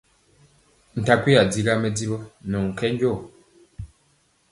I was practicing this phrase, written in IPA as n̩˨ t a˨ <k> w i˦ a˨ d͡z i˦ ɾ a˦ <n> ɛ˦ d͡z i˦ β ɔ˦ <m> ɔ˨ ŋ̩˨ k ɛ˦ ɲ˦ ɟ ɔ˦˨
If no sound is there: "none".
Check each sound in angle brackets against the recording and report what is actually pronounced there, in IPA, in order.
k, m, n

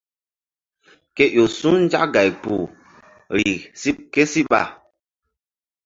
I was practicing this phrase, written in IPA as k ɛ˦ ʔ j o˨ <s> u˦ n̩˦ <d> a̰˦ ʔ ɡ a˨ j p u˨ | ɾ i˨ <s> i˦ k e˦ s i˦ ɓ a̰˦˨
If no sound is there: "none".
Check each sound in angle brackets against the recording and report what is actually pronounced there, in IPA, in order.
s, d͡ʒ, s

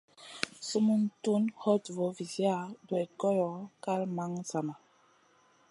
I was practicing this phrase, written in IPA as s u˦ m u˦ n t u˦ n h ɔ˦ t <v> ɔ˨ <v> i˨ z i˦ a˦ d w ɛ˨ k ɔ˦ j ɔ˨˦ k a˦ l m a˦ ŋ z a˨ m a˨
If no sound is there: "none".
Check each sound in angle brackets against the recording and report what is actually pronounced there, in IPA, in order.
v, v

